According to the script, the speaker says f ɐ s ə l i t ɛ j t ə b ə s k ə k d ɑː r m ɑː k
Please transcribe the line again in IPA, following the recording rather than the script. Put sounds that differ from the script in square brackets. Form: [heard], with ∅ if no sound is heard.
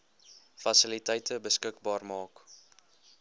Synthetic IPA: f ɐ s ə l i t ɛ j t ə b ə s k ə k [b] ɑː r m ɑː k